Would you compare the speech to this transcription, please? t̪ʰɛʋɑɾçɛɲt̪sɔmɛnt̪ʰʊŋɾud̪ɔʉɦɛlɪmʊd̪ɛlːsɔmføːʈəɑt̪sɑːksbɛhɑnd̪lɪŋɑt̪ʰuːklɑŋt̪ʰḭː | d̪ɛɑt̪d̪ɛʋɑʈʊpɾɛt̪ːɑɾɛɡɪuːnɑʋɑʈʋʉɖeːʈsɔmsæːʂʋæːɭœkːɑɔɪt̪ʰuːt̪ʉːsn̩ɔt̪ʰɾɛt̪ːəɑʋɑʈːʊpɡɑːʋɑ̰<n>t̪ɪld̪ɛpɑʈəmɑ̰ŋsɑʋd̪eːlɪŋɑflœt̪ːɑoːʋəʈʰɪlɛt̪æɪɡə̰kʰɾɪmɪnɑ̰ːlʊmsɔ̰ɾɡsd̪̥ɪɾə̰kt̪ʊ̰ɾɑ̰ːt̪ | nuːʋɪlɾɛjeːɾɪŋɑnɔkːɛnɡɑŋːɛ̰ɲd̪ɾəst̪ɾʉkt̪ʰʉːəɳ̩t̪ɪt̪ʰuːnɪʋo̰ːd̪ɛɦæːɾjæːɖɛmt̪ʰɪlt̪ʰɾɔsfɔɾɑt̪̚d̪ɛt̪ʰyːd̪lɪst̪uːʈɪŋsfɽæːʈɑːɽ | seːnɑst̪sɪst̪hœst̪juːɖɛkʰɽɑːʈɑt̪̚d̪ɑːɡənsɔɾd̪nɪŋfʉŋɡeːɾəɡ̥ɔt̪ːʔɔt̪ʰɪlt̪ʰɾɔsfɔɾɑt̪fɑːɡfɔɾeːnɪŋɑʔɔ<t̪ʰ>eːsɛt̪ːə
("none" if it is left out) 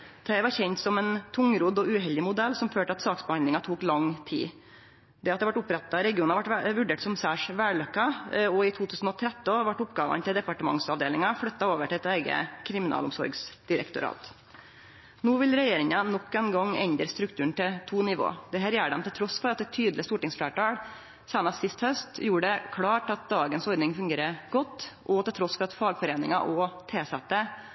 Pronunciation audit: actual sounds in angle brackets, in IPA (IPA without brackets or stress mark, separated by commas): n, t̪ʰ